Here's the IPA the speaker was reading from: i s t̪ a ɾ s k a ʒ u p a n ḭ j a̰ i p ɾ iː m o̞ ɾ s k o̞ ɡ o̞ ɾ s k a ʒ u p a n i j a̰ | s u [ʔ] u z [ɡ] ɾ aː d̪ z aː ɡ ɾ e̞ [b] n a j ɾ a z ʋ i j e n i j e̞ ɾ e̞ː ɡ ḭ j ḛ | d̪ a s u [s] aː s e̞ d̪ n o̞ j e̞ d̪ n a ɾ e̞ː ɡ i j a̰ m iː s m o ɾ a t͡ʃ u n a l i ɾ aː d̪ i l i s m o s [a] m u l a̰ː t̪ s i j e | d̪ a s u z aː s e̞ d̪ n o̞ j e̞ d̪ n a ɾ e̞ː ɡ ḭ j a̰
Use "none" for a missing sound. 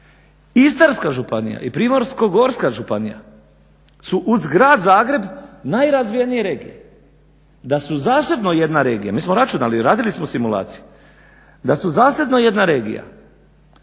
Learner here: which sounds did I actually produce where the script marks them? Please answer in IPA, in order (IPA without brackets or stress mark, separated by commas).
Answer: ʔ, ɡ, b, z, i